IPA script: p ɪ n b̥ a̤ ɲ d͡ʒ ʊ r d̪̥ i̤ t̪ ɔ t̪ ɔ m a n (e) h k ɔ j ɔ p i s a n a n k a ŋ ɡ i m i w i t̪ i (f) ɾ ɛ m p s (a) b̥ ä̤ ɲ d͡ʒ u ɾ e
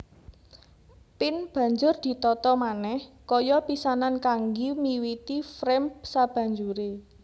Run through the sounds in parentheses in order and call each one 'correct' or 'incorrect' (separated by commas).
incorrect, correct, correct